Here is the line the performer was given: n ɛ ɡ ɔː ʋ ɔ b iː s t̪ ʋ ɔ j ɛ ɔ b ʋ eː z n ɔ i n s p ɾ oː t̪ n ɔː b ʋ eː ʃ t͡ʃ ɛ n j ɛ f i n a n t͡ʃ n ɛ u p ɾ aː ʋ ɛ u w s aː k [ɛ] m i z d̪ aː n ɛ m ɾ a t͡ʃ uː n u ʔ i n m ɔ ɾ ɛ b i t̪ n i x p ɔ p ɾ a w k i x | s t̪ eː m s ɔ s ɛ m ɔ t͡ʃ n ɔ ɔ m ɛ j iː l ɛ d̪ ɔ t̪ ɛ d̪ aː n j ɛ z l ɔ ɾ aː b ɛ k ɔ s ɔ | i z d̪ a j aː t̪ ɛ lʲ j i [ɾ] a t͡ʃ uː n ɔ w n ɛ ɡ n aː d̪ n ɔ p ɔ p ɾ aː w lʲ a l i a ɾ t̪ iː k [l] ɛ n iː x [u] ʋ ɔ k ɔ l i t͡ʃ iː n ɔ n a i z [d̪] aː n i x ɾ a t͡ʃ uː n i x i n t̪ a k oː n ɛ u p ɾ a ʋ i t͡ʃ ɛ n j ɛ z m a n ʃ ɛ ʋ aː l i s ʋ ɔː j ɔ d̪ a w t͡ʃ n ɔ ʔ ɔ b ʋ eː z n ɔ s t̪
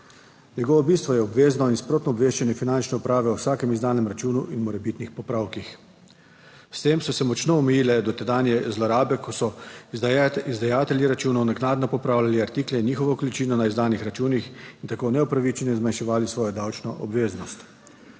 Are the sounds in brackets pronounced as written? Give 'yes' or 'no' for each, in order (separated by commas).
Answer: yes, yes, yes, no, yes